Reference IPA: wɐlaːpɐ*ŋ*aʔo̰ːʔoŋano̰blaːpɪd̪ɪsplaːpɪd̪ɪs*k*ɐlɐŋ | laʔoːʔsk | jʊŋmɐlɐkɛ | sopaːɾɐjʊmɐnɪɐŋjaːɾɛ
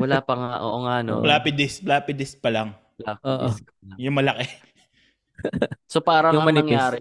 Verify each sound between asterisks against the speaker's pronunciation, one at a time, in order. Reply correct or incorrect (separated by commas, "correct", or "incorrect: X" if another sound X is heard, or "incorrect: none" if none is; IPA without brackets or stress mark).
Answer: correct, incorrect: p